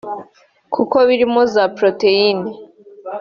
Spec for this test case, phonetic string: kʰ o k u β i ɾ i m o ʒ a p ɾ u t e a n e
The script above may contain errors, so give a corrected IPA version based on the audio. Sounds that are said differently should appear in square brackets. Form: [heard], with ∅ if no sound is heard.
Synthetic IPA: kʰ [u] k [o] β i ɾ i m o [z] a p ɾ [o] t e [i] n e